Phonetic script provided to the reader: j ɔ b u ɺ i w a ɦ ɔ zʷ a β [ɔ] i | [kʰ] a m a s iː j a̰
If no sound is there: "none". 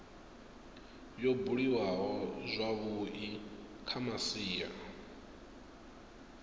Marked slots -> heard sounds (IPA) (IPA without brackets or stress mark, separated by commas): u, kʰ